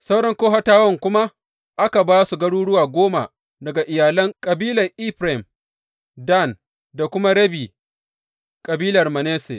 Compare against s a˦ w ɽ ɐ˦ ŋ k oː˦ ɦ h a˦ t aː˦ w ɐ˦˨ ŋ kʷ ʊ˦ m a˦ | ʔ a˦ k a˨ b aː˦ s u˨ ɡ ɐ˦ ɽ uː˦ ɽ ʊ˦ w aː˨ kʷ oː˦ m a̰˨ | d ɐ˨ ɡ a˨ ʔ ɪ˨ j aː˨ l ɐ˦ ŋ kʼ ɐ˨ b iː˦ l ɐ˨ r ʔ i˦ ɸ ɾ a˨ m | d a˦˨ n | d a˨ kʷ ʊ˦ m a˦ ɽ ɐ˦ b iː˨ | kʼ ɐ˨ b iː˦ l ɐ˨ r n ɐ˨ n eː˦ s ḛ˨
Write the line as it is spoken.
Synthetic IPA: s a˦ w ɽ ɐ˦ ŋ k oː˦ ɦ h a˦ t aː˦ w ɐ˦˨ ŋ kʷ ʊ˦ m a˦ | ʔ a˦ k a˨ b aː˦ s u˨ ɡ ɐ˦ ɽ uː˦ ɽ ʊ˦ w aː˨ ɡʷ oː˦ m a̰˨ | d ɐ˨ ɡ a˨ ʔ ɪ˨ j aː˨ l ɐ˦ ŋ kʼ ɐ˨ b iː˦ l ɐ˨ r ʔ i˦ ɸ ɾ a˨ m | d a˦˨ n | d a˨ kʷ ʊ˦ m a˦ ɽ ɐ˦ b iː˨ | kʼ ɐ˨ b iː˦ l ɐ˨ r m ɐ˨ n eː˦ s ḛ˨

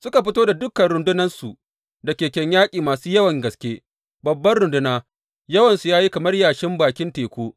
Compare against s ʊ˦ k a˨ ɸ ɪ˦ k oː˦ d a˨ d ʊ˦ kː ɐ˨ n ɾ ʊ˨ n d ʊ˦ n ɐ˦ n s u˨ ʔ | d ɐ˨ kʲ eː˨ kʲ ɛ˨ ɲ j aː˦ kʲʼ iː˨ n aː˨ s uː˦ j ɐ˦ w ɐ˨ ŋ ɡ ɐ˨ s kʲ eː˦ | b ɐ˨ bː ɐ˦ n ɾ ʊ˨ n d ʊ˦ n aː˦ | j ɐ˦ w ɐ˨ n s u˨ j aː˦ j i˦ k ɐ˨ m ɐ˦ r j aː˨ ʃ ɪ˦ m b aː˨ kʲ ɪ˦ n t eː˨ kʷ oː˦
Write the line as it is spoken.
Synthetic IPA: s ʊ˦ k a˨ ɸ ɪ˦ t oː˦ d a˨ d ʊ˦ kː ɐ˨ n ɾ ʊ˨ n d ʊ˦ n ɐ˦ n s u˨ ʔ | d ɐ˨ kʲ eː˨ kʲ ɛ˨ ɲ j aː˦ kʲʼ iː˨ m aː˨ s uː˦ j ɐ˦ w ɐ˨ ŋ ɡ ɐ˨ s kʲ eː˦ | b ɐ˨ bː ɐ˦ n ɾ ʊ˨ n d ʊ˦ n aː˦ | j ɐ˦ w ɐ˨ n s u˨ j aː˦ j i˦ k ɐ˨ m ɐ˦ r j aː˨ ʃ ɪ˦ m b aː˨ kʲ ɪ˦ n t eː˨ kʷ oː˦

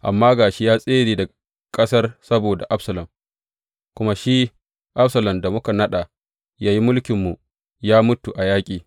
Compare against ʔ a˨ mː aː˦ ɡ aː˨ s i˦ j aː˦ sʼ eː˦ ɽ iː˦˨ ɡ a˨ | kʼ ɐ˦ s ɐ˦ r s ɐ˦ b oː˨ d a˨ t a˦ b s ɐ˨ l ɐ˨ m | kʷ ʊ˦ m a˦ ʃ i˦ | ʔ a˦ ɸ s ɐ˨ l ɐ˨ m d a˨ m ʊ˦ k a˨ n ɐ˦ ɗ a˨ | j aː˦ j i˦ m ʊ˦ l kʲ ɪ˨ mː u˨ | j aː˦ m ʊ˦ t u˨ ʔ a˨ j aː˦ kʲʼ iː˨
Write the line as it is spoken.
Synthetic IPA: ʔ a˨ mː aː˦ ɡ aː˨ ʃ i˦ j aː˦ sʼ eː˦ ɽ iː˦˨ d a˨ | kʼ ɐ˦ s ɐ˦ r s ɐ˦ b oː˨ d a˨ ʔ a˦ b s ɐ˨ l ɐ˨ m | kʷ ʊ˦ m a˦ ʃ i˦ | ʔ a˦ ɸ s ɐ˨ l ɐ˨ m d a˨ m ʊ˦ k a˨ n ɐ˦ ɗ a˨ | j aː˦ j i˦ m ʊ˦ l kʲ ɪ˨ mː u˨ | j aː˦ m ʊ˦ t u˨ ʔ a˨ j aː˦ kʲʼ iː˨

